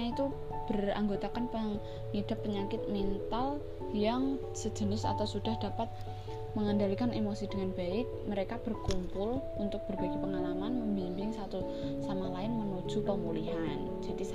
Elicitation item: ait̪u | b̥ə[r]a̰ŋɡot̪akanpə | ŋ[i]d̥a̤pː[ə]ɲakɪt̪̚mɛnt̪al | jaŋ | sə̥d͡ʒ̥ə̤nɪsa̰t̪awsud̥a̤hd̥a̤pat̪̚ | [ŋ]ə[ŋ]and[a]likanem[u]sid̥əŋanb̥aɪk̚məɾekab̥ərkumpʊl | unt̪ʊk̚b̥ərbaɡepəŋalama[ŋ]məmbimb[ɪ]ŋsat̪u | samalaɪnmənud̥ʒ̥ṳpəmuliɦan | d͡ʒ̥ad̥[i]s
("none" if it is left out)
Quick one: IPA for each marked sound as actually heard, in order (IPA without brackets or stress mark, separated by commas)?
r, i, ə, m, ŋ, a, o, n, ɪ, i